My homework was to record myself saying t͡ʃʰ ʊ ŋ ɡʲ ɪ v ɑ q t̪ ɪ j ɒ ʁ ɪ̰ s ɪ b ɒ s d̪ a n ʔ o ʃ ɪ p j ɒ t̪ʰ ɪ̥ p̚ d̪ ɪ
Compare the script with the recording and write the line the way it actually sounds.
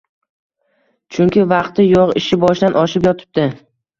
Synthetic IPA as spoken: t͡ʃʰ ʊ ŋ kʲ ɪ v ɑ q t̪ ɪ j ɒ ʁ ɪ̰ ʃ ɪ b ɒ ʃ d̪ a n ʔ ɒ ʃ ɪ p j ɒ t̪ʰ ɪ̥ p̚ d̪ ɪ